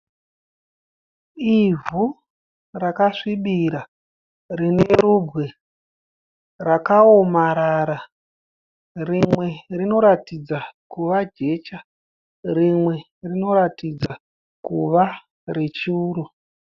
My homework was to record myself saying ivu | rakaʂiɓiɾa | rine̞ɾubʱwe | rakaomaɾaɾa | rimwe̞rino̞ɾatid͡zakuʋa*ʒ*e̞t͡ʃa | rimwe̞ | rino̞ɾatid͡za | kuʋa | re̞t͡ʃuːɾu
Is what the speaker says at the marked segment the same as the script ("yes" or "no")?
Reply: no